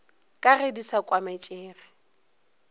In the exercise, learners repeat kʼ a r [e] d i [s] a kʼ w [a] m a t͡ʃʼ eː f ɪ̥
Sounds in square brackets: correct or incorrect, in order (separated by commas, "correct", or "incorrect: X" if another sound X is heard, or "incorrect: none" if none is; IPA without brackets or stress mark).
correct, correct, correct